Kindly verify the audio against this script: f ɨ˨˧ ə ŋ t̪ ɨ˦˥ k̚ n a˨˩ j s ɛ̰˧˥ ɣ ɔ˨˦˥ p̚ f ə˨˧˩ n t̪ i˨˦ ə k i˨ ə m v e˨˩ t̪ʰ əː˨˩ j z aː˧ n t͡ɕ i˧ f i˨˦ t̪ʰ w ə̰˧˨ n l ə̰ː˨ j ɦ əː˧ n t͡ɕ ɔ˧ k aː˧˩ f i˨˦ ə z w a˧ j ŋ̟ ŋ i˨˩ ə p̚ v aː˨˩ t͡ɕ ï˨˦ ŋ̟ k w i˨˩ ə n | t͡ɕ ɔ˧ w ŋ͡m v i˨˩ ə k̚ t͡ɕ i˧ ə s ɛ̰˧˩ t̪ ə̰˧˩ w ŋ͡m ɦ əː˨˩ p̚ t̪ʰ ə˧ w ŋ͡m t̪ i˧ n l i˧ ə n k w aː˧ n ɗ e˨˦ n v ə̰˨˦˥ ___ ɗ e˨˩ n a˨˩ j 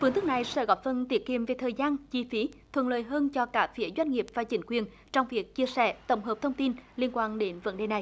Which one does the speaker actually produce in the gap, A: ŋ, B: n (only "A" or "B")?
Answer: B